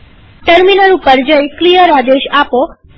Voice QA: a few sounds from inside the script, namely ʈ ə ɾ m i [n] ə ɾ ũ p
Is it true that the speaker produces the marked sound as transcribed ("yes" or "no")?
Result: yes